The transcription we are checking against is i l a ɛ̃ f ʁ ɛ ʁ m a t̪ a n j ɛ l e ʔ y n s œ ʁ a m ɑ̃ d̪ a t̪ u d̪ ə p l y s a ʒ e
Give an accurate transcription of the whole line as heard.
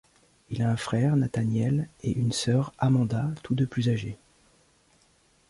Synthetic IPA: i l a ɛ̃ f χ ɛ ʁ n a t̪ a n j ɛ l e ʔ y n s œ ʁ a m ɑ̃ d̪ a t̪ u d̪ ə p l y z a ʒ e

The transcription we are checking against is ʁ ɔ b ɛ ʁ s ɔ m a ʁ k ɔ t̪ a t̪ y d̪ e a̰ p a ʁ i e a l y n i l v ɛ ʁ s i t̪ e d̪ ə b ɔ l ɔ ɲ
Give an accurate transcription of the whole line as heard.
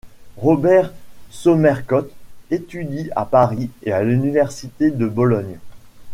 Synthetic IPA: ʁ ɔ b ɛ ʁ s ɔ m ɛ ʁ k ɔ t̪ e t̪ y d̪ i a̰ p a ʁ i e a l y n i v ɛ ʁ s i t̪ e d̪ ə b ɔ l ɔ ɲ

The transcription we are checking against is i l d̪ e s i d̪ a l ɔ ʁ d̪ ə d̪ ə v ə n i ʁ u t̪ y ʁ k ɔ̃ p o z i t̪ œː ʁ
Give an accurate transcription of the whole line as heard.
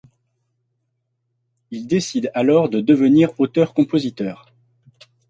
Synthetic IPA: i l d̪ e s i d̪ a l ɔ ʁ d̪ ə d̪ ə v ə n i ʁ o t̪ œ ʁ k ɔ̃ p o z i t̪ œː ʁ

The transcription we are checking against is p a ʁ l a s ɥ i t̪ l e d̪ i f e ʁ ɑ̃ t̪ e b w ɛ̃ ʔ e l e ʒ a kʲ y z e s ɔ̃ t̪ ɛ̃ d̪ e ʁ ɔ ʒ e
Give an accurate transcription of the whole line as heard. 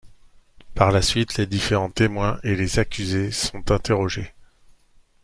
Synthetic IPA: p a ʁ l a s ɥ i t̪ l e d̪ i f e ʁ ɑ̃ t̪ e m w ɛ̃ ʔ e l e z a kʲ y z e s ɔ̃ t̪ ɛ̃ t̪ e ʁ ɔ ʒ e

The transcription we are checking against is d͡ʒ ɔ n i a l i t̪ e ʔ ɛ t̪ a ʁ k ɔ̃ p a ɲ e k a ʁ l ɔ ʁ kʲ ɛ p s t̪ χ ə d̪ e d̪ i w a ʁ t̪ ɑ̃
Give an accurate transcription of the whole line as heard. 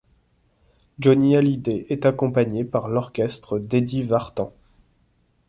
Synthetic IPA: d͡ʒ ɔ n i a l i d̪ e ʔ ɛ t̪ a k ɔ̃ p a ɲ e p a ʁ l ɔ ʁ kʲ ɛ s t̪ χ ə d̪ e d̪ i v a ʁ t̪ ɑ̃

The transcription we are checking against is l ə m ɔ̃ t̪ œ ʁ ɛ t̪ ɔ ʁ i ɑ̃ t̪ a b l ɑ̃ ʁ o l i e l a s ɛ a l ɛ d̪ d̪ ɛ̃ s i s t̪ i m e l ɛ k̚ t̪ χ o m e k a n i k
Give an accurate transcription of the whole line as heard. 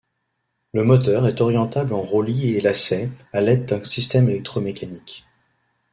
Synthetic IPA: l ə m ɔ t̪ œ ʁ ɛ t̪ ɔ ʁ j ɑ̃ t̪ a b l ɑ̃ ʁ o l i e l a s ɛ a l ɛ d̪ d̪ ɛ̃ s i s t̪ ɛ m e l ɛ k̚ t̪ χ o m e k a n i k

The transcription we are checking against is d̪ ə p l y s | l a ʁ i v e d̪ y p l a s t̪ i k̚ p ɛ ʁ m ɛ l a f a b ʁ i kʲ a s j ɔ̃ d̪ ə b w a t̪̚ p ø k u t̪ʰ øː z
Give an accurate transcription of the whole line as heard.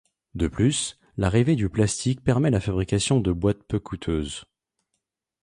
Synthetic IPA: d̪ ə p l y s | l a ʁ i v e d̪ y p l a s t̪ i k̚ p ɛ ʁ m ɛ l a f a b ʁ i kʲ a s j ɔ̃ d̪ ə b w a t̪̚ p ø k u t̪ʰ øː z

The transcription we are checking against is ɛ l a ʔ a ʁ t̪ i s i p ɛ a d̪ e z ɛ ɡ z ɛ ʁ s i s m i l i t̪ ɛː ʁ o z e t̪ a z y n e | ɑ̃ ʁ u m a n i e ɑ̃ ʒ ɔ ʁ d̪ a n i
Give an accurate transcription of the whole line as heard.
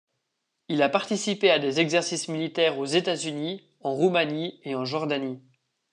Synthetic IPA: i l a p a ʁ t̪ i s i p e a d̪ e z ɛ ɡ z ɛ ʁ s i s m i l i t̪ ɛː ʁ o z e t̪ a z y n i | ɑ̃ ʁ u m a n i e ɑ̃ ʒ ɔ ʁ d̪ a n i

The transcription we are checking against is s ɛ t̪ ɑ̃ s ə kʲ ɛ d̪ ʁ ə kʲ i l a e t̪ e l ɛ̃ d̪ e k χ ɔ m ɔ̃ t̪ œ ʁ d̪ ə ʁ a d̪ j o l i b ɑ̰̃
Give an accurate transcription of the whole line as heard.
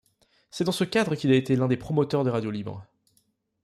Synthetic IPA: s ɛ d̪ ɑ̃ s ə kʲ a d̪ ʁ ə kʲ i l a e t̪ e l ɛ̃ d̪ e p χ ɔ m ɔ t̪ œ ʁ d̪ ə ʁ a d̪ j o l i b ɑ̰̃

